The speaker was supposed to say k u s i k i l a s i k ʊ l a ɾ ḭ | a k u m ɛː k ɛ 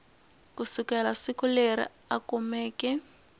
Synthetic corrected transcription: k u s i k ɛ l a s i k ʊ l e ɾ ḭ | a k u m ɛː k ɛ